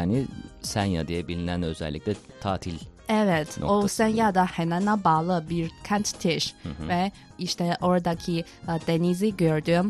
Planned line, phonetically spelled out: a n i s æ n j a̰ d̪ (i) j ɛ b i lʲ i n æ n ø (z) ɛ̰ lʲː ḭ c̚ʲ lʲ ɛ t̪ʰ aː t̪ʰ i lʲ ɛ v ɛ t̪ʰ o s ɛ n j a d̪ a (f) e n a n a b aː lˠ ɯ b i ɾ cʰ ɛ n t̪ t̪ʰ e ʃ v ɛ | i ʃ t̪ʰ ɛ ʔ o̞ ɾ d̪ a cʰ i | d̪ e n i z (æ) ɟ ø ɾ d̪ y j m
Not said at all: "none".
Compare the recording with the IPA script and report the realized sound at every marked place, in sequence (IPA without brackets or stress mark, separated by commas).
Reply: i, z, h, i